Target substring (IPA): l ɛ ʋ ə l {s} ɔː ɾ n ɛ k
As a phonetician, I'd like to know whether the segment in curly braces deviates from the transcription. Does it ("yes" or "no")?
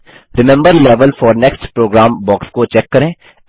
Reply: yes